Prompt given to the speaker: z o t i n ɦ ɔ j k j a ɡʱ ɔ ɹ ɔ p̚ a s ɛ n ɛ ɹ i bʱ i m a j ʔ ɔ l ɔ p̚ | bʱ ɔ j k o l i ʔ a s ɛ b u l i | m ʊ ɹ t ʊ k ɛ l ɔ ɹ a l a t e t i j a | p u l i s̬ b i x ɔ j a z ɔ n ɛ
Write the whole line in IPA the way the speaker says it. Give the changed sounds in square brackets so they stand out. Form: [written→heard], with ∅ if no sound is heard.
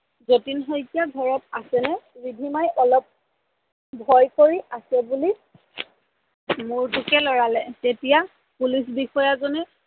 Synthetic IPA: z o t i n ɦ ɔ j k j a ɡʱ ɔ ɹ ɔ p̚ a s ɛ n ɛ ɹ i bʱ i m a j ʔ ɔ l ɔ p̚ | bʱ ɔ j k o [l→ɹ] i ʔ a s ɛ b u l i | m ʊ ɹ t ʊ k ɛ l ɔ ɹ a l [a→ɛ] t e t i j a | p u l i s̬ b i x ɔ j a z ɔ n ɛ